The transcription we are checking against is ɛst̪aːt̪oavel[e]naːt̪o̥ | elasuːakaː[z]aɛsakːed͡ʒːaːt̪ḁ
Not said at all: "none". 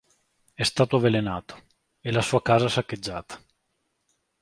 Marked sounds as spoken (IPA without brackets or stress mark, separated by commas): e, z